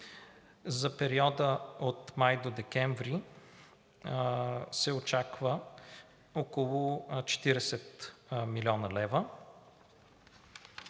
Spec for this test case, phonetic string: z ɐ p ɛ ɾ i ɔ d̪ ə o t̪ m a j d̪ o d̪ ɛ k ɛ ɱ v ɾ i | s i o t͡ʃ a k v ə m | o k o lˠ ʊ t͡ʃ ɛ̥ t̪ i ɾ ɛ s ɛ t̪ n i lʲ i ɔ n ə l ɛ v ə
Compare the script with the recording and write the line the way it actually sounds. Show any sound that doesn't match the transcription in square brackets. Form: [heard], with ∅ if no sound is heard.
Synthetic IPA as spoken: z ɐ p ɛ ɾ i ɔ d̪ ə o t̪ m a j d̪ o d̪ ɛ k ɛ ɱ v ɾ i | s [ɛ] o t͡ʃ a k v ə [∅] | o k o lˠ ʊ t͡ʃ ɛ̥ t̪ i ɾ ɛ s ɛ t̪ [m] i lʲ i ɔ n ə l ɛ v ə